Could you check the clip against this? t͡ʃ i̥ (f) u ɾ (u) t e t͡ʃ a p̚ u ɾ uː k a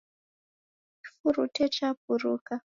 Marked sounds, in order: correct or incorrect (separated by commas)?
correct, correct